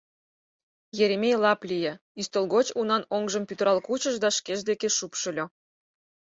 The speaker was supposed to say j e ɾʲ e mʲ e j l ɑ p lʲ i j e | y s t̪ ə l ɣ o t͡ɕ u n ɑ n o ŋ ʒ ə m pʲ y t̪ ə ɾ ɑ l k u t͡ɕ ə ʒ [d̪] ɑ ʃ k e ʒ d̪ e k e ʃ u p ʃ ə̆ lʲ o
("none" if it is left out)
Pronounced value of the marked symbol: d̪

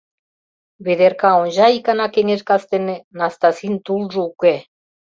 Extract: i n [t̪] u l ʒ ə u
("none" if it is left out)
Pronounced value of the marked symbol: t̪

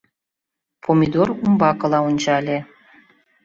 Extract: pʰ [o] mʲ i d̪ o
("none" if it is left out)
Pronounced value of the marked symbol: o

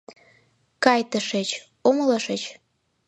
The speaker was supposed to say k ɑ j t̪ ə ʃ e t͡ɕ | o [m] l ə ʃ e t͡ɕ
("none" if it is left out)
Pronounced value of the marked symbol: m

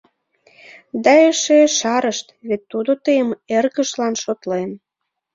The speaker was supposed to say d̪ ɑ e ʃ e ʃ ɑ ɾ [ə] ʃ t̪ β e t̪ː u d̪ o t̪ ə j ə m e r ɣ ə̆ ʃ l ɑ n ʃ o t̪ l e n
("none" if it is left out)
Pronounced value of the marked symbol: ə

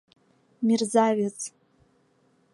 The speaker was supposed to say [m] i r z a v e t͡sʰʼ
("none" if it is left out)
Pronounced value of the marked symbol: m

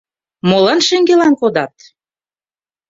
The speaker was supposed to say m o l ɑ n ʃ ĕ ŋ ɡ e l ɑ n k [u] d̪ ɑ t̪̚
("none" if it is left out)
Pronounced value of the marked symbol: o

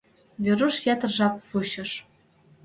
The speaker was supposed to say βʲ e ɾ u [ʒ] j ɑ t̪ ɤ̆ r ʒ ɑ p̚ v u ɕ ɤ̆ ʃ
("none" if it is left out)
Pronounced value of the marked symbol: ʃ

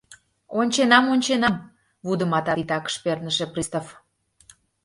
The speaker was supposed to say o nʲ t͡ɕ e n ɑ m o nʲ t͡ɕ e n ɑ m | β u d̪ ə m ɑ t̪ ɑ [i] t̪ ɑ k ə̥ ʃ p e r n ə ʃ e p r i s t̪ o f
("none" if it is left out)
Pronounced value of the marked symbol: i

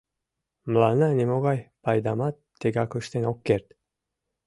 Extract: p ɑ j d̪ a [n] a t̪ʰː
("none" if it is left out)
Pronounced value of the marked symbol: m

